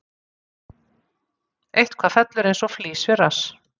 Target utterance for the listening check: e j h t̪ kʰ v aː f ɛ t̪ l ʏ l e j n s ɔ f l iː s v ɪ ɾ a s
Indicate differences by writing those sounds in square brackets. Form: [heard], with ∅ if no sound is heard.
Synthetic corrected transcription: e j h t̪ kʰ v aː f ɛ t̪ l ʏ [ɾ] e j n s ɔ f l iː s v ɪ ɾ a s